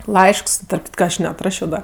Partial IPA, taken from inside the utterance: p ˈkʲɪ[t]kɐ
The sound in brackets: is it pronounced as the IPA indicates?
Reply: yes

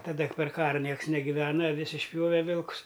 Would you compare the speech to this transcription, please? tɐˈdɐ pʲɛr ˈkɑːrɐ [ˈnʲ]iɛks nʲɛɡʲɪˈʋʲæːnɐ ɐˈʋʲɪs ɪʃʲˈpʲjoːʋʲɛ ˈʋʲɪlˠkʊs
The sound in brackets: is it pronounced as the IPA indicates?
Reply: yes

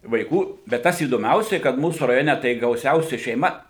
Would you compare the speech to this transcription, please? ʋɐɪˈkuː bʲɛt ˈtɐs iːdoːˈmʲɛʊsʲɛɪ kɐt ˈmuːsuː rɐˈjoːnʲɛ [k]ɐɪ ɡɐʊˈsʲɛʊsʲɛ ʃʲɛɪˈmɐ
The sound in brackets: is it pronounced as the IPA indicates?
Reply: no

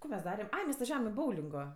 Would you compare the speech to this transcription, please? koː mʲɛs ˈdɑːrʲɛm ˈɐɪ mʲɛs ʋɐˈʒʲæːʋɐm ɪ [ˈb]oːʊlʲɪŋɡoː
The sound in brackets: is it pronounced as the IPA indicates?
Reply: yes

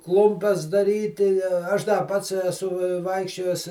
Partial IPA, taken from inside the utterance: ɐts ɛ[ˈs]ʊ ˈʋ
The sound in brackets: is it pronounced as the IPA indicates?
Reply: yes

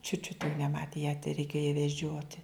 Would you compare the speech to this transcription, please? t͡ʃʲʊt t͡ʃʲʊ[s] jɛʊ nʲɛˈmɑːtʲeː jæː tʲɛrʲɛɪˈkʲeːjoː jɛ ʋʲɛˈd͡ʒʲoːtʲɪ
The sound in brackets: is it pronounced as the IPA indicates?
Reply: no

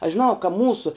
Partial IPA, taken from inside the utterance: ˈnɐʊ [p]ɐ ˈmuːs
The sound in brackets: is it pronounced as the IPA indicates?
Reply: no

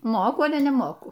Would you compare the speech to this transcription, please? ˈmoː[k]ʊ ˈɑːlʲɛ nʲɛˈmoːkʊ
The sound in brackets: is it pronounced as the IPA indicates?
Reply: yes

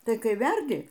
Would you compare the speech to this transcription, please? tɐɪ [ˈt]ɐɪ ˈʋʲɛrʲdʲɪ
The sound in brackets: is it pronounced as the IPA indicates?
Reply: no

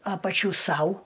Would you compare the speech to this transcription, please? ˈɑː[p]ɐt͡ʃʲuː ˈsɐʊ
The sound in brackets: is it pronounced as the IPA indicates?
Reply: yes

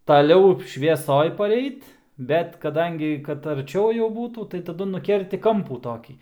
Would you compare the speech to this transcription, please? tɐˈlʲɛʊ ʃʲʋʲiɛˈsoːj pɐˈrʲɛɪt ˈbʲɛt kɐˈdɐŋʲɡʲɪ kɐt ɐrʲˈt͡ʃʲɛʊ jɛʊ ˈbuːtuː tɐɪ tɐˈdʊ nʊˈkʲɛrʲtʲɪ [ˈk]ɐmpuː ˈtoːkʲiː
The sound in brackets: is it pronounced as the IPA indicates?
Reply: yes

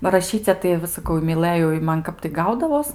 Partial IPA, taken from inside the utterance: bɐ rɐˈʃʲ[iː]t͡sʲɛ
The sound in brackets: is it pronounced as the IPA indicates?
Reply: yes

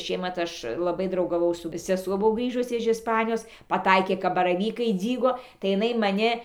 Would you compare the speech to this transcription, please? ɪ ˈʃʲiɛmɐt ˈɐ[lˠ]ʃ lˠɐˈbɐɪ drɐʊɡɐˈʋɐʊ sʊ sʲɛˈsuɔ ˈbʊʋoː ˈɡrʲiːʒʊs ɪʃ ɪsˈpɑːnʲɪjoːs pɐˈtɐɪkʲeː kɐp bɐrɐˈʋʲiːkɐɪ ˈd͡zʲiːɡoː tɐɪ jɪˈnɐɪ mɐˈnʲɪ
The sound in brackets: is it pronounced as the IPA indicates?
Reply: no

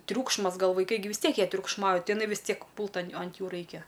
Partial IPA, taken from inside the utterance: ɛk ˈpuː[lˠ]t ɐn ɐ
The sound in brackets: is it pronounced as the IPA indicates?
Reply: yes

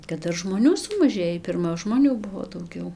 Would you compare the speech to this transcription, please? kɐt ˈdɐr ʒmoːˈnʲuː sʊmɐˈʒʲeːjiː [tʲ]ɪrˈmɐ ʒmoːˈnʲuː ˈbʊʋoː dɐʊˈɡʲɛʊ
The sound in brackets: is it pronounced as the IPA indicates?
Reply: no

